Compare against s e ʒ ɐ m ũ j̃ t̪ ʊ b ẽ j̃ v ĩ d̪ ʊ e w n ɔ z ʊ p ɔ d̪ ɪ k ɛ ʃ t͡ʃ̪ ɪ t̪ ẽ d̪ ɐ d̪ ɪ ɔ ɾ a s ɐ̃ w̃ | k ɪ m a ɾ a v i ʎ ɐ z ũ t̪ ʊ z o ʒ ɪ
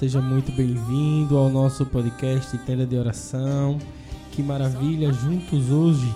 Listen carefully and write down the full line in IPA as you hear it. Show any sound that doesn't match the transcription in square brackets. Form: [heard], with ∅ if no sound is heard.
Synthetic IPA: s e ʒ ɐ m ũ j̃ t̪ ʊ b ẽ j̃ v ĩ d̪ ʊ [a] w n ɔ [s] ʊ p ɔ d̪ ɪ k ɛ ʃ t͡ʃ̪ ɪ t̪ ẽ d̪ ɐ d̪ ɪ ɔ ɾ a s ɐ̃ w̃ | k ɪ m a ɾ a v i ʎ ɐ [ʒ] ũ t̪ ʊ z o ʒ ɪ